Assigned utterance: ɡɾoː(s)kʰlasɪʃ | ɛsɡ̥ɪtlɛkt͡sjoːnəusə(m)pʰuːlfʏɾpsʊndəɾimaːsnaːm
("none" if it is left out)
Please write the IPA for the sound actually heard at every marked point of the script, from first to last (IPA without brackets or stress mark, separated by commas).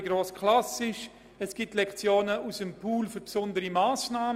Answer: s, m